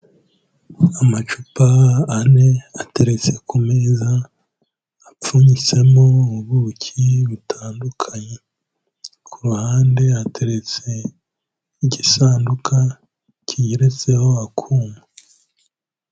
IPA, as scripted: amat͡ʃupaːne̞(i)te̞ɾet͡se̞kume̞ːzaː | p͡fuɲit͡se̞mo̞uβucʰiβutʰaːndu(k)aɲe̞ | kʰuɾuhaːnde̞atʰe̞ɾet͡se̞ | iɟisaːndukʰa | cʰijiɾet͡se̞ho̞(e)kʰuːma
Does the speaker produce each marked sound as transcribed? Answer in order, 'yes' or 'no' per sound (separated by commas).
no, no, no